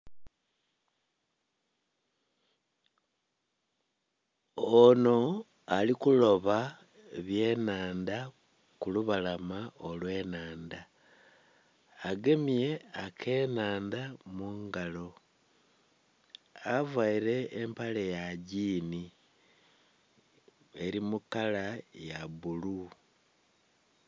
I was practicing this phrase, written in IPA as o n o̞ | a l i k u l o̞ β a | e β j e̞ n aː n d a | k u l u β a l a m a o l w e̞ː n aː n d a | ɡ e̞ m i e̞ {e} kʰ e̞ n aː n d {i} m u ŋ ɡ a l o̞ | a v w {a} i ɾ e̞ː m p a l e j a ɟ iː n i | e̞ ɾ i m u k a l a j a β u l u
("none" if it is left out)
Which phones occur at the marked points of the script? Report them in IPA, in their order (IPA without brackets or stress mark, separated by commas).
a, a, a